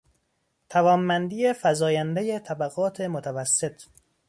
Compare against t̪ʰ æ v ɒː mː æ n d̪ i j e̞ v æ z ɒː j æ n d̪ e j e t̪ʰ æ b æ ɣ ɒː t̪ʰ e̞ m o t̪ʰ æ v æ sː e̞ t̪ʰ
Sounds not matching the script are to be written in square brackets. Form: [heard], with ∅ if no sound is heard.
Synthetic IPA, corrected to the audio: t̪ʰ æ v ɒː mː æ n d̪ i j e̞ [f] æ z ɒː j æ n d̪ e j e t̪ʰ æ b æ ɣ ɒː t̪ʰ e̞ m o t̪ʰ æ v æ sː e̞ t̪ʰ